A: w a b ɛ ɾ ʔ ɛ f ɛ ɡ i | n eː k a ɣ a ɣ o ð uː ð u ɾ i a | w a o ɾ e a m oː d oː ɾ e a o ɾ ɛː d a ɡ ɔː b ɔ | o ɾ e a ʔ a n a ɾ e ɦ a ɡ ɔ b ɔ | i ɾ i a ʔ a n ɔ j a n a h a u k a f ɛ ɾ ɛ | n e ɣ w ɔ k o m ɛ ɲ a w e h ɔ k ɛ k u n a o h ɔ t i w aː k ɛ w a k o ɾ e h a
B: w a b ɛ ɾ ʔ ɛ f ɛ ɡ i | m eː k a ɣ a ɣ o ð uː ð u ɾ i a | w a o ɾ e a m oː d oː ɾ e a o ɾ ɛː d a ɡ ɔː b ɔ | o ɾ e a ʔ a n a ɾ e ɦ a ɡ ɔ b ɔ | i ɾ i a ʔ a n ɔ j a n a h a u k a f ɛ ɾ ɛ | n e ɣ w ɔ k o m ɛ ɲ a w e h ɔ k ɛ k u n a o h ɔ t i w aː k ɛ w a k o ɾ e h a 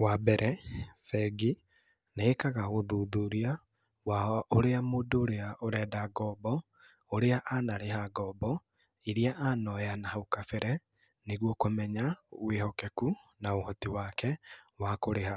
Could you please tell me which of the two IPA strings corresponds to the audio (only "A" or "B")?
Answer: A